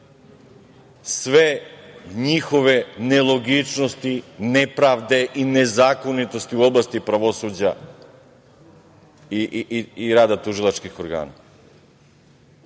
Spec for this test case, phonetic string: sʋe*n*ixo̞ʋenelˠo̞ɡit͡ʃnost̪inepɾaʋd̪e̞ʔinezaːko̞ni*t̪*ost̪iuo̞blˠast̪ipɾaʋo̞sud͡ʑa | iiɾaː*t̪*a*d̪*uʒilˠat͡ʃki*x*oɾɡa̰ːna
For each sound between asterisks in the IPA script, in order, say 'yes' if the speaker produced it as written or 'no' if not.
no, yes, no, no, yes

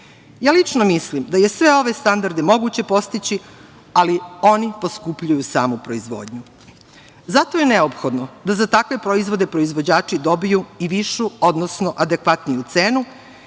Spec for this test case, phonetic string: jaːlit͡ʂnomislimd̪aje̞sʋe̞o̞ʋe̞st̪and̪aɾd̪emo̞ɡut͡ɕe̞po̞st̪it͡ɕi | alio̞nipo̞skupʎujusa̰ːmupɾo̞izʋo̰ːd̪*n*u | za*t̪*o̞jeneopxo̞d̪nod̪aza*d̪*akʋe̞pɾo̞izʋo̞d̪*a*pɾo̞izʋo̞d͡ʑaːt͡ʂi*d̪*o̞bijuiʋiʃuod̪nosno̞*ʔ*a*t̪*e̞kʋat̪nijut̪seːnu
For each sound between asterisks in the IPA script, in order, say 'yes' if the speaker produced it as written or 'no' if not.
no, yes, no, no, yes, yes, no

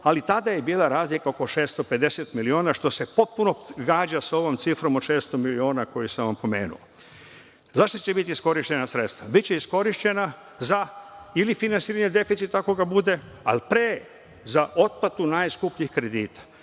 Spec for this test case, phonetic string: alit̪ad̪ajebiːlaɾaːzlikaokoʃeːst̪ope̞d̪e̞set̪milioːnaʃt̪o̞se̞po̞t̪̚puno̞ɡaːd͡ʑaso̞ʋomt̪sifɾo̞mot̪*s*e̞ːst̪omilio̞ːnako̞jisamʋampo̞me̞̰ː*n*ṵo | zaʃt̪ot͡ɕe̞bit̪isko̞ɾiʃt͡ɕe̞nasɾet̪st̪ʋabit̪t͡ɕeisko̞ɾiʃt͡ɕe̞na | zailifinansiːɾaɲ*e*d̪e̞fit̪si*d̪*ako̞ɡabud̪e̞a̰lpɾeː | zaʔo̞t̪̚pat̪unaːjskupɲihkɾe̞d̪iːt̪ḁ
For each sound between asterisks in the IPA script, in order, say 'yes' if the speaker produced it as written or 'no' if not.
no, yes, yes, no

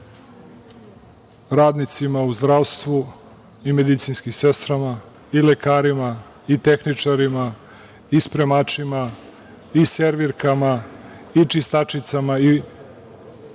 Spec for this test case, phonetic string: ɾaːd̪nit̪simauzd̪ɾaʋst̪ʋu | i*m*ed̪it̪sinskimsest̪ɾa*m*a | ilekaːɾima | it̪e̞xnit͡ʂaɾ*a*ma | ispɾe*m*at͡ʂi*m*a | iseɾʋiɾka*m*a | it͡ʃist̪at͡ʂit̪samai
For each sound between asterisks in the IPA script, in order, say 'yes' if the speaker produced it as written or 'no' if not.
yes, yes, no, yes, yes, yes

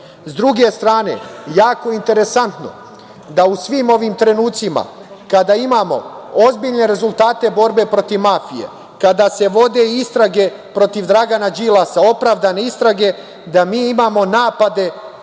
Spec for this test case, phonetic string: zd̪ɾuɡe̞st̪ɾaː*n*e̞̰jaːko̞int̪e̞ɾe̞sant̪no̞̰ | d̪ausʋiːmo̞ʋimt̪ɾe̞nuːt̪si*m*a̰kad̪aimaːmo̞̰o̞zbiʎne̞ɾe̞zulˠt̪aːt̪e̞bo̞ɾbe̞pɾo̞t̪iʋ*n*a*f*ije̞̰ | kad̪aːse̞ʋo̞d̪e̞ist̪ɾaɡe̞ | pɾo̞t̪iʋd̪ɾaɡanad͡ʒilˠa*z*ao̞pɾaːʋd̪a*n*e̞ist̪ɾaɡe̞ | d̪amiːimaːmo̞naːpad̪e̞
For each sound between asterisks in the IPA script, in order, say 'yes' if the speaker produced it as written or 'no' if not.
yes, yes, no, yes, no, yes

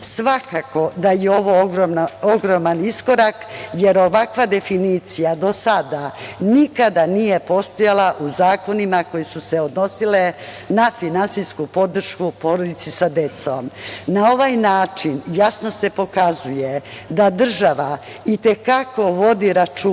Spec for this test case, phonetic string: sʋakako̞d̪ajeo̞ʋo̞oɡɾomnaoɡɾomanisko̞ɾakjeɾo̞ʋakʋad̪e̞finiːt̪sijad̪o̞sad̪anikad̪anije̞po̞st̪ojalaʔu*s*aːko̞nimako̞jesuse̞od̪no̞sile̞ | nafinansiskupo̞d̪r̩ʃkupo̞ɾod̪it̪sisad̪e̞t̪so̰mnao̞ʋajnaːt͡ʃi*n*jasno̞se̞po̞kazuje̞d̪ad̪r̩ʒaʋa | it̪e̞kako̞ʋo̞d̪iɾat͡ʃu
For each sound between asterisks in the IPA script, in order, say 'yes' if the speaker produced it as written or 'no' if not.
no, yes

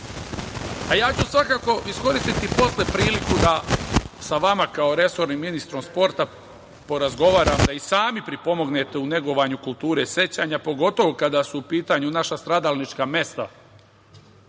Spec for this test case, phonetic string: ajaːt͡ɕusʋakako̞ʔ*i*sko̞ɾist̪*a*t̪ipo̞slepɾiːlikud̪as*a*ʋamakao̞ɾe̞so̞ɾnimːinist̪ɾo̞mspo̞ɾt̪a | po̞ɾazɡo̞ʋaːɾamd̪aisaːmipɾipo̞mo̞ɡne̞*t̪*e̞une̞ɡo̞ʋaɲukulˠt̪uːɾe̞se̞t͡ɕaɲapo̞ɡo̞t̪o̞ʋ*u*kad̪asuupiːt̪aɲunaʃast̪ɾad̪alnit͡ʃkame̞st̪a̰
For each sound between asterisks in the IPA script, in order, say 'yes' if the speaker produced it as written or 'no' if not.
yes, no, yes, yes, no

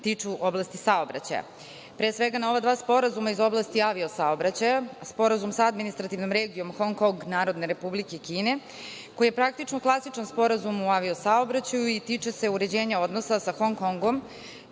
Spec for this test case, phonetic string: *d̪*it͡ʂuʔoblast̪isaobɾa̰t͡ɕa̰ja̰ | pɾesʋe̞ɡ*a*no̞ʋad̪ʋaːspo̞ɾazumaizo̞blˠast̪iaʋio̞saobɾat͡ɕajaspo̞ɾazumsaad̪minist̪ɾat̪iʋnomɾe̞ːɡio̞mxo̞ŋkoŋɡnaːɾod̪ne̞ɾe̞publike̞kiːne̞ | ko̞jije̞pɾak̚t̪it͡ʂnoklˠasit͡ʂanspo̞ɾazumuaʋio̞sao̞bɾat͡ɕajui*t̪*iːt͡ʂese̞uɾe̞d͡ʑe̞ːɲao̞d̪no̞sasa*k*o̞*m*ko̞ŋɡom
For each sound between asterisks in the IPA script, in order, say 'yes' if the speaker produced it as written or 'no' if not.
no, yes, yes, no, no

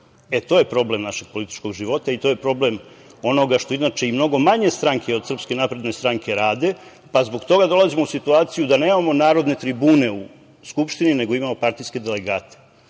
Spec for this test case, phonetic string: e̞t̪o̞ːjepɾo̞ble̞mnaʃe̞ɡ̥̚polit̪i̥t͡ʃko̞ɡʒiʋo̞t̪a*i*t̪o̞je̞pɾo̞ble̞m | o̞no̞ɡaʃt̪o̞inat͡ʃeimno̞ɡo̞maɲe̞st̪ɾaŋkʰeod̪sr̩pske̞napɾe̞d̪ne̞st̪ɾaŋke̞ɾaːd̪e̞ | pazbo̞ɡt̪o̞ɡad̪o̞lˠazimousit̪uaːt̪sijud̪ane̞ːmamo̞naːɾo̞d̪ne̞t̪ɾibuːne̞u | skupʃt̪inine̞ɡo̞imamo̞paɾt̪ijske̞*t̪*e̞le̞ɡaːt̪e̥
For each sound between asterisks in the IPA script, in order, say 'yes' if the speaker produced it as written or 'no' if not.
yes, no

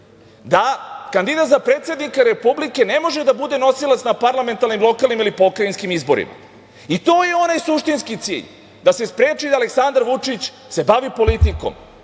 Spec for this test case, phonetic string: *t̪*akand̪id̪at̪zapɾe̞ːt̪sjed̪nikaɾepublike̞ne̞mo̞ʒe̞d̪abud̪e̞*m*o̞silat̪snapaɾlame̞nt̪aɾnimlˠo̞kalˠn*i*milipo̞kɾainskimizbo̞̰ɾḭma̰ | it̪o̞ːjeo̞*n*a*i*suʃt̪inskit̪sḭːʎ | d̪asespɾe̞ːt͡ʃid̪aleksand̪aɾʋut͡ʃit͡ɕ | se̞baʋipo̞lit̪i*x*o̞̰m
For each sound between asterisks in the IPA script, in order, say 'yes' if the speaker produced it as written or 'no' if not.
no, no, yes, yes, no, no

